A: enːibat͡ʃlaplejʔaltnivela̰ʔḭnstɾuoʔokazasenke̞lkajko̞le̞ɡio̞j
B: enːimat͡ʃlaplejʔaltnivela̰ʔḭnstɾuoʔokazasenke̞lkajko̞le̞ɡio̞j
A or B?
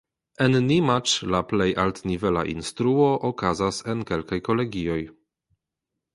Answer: B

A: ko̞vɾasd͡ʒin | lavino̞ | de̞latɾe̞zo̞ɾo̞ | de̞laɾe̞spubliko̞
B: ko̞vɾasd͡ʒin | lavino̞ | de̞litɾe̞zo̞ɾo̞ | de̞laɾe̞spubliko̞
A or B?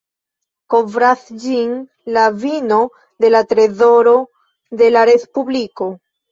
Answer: A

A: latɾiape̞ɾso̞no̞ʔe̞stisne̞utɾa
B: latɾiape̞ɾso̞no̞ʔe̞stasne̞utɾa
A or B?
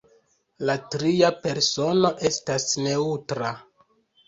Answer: B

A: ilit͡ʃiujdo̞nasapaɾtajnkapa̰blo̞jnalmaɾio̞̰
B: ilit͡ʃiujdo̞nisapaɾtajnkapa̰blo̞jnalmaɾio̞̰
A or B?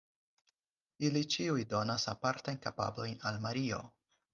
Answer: A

